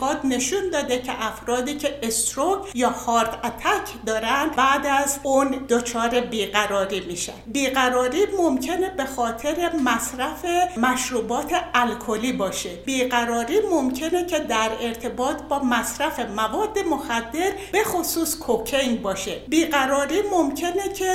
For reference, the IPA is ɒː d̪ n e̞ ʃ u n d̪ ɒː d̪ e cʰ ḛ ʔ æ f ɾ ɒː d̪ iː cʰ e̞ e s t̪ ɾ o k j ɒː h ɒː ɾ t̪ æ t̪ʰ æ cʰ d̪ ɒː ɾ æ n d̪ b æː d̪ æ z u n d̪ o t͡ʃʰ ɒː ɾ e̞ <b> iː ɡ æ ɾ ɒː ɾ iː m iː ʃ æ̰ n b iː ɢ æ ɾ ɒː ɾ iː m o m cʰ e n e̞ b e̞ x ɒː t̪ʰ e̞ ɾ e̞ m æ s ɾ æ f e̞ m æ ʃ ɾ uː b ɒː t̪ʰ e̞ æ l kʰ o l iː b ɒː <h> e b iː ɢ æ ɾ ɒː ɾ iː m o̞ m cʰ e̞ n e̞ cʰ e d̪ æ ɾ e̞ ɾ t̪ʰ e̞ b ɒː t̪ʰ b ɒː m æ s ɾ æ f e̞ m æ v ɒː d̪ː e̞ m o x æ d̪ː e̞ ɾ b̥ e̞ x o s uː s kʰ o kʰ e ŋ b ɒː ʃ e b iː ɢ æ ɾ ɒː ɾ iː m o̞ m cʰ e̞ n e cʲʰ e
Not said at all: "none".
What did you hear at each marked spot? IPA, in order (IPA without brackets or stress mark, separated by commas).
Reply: b, ʃ